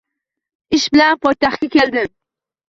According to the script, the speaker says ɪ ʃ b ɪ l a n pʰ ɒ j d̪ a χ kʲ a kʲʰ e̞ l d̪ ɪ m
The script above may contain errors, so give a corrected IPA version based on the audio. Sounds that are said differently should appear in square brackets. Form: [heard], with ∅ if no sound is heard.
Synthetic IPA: ɪ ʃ b ɪ l a n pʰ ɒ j [t̪] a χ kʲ a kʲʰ e̞ l d̪ ɪ m